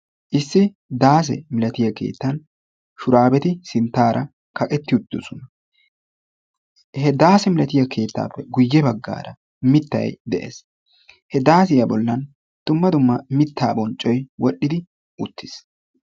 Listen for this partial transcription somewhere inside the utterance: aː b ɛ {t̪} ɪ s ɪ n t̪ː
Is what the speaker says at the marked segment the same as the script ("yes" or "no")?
yes